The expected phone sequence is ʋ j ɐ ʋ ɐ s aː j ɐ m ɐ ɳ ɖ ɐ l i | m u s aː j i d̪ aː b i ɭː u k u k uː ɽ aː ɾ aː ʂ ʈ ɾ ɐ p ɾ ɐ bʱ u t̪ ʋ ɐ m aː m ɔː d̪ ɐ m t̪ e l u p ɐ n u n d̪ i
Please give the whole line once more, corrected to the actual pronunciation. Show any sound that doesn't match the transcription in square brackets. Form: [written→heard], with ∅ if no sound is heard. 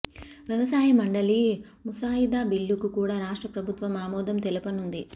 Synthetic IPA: ʋ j ɐ ʋ ɐ s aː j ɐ m ɐ ɳ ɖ ɐ l i | m u s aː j i d̪ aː b i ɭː u k u k uː ɽ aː ɾ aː ʂ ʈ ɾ ɐ p ɾ ɐ bʱ u t̪ ʋ ɐ m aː m ɔː d̪ ɐ m t̪ e l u p ɐ n u n d̪ i